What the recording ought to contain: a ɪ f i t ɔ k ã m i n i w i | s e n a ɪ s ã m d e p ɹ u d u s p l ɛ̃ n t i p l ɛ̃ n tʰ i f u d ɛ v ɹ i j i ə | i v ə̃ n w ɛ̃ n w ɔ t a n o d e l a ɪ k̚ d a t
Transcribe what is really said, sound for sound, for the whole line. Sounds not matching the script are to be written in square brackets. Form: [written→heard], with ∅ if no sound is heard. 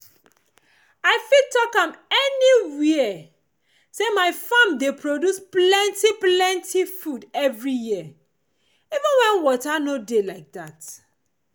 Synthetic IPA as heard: a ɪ f i t ɔ k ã m [i→ɛ] n i w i | s e [n→m] a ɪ [s→f] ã m d e p ɹ [u→o] d u s p l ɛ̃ n t i p l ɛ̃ n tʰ i f u d ɛ v ɹ i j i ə | i v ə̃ n w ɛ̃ n w ɔ t a n o d e l a ɪ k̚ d a t